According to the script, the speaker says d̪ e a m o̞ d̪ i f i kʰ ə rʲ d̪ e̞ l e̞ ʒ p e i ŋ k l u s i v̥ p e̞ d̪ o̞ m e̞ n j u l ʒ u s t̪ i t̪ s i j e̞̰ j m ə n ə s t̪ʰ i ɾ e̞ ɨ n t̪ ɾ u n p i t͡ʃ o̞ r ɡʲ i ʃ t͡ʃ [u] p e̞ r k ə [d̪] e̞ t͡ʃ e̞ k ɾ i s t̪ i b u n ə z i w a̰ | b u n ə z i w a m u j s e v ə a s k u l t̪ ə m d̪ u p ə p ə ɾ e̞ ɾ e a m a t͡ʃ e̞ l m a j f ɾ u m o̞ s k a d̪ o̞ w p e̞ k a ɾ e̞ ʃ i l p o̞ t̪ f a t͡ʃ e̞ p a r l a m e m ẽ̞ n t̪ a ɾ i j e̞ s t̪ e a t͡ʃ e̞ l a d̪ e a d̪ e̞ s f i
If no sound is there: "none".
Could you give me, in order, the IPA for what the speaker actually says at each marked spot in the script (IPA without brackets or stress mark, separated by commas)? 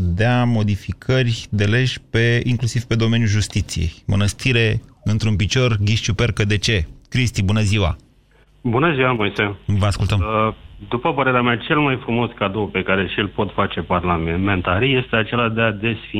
u, d̪